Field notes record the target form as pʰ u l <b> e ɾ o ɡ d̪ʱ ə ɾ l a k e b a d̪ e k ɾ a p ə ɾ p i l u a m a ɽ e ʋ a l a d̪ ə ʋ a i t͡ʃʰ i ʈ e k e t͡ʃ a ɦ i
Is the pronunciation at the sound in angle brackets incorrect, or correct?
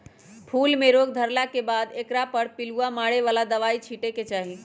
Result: incorrect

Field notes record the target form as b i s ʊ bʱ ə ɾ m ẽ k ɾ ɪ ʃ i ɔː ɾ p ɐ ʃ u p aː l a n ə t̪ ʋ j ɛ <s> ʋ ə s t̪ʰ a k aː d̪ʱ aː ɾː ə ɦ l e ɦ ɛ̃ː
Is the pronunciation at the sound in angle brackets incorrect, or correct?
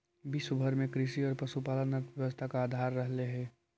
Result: incorrect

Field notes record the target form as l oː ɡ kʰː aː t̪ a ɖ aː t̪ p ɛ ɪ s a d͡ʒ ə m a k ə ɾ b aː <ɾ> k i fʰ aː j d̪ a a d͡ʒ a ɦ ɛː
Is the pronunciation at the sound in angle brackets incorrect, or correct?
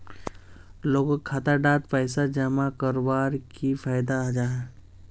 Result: correct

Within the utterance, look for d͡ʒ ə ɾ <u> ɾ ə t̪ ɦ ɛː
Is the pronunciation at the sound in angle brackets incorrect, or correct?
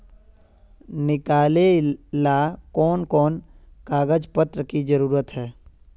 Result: incorrect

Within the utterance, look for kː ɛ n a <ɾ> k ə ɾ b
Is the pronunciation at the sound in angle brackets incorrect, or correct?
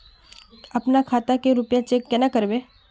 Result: incorrect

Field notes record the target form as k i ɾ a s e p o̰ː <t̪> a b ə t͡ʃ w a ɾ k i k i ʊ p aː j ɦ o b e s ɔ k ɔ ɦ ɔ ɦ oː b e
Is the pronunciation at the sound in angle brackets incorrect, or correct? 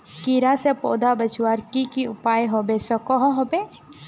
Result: incorrect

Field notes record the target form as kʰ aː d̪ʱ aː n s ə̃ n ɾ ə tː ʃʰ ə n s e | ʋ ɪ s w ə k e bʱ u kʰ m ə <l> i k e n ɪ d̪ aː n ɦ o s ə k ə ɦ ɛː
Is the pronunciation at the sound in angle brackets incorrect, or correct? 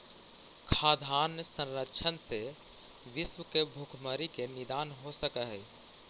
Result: incorrect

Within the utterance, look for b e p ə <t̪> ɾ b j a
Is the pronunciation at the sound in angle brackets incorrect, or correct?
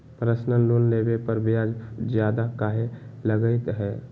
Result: incorrect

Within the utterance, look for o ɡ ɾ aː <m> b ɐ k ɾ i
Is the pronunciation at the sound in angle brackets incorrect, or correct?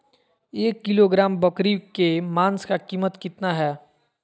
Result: correct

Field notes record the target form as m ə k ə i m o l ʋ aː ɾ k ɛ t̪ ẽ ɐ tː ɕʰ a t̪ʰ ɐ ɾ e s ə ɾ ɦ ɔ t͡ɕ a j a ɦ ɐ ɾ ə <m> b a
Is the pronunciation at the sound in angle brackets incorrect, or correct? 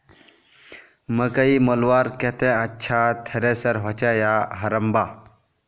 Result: correct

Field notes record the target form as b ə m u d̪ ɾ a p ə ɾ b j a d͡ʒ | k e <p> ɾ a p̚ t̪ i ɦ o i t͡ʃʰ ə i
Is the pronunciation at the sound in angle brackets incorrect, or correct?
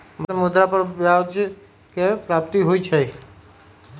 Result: correct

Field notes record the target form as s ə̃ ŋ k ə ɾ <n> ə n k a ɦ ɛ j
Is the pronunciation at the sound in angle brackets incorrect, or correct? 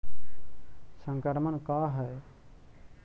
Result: incorrect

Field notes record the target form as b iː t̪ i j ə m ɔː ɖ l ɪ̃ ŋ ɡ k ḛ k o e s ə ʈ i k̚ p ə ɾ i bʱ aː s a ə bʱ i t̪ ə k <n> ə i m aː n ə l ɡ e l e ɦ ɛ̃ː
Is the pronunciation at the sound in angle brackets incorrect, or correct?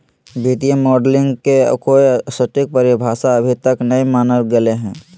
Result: correct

